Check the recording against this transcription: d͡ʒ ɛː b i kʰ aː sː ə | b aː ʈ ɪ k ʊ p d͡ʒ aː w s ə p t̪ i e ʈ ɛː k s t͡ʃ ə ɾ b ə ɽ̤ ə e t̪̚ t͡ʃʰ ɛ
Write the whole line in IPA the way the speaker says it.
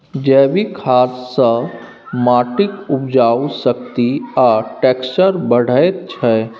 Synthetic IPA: d͡ʒ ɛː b i kʰ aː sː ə | m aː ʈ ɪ k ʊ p d͡ʒ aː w s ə k t̪ i a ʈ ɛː k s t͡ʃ ə ɾ b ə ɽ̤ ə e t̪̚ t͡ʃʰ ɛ